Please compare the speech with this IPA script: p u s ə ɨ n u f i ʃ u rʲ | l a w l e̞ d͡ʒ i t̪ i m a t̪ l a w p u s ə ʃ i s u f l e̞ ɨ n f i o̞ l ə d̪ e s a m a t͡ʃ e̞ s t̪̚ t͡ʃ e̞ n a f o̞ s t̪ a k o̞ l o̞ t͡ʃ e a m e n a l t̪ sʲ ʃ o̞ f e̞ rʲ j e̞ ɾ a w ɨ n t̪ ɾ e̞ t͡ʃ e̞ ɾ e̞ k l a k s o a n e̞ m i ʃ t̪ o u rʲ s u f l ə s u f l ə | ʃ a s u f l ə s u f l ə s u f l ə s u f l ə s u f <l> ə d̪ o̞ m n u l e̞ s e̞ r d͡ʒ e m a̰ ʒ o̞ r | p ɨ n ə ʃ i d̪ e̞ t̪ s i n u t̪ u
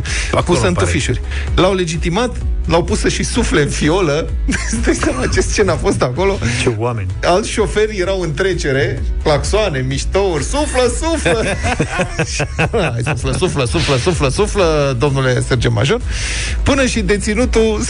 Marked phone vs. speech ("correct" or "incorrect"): correct